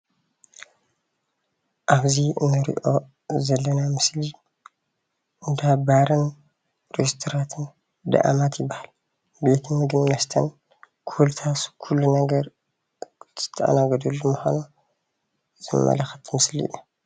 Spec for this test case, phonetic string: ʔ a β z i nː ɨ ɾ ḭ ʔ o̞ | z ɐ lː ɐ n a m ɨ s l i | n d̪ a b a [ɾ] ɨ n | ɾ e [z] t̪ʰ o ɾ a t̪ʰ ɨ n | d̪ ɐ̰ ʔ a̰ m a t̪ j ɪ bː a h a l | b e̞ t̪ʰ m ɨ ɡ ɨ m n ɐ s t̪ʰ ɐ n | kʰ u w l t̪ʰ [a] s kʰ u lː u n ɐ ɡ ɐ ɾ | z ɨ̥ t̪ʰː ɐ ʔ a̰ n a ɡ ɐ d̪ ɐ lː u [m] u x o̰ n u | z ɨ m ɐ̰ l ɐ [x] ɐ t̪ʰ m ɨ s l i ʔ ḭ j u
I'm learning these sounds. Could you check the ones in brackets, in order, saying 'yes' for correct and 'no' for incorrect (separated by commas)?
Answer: yes, no, yes, yes, yes